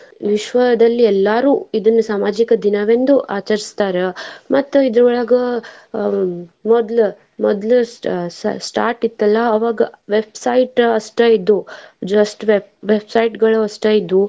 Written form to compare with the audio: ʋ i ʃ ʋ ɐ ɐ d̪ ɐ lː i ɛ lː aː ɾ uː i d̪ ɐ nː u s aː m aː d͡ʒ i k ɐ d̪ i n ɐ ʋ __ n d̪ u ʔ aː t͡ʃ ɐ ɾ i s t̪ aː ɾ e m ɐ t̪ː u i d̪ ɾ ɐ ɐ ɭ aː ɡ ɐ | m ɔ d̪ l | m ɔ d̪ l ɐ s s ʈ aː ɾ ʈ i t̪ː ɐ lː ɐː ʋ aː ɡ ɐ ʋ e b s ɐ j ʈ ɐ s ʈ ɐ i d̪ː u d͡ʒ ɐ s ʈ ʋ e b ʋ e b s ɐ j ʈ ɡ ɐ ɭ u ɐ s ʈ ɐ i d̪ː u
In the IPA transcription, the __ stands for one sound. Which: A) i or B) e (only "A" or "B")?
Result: B